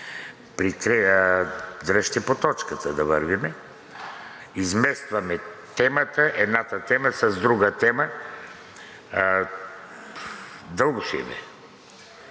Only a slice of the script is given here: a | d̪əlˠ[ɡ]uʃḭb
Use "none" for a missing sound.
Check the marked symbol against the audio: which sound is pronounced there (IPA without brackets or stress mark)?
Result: ɡ